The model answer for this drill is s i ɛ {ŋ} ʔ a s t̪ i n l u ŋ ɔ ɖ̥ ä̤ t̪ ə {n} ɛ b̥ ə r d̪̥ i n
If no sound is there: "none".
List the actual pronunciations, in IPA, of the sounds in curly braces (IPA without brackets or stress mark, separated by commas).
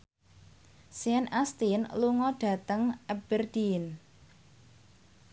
n, ŋ